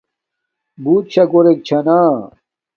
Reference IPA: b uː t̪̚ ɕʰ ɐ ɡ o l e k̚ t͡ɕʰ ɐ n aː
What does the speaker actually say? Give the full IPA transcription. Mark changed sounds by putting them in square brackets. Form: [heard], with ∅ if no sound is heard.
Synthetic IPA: b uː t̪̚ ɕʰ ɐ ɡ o [ɾ] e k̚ t͡ɕʰ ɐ n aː